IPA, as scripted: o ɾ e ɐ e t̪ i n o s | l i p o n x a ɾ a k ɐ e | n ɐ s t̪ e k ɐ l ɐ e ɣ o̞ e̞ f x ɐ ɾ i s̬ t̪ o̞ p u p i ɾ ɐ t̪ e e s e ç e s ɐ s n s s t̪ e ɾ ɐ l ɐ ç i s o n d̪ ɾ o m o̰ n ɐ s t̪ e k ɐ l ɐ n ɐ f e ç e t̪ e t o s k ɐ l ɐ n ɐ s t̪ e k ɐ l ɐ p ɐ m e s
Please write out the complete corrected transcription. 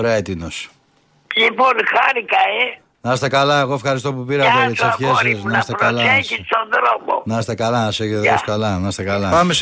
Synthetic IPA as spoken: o ɾ e ɐ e t̪ i n o s | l i p o n x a ɾ i k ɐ e | n ɐ s t̪ e k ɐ l ɐ e ɣ o̞ e̞ f x ɐ ɾ i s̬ t̪ o̞ p u p i ɾ ɐ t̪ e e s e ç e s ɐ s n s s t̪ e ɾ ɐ l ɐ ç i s o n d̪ ɾ o m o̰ n ɐ s t̪ e k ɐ l ɐ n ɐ s e ç e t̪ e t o s k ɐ l ɐ n ɐ s t̪ e k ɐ l ɐ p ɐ m e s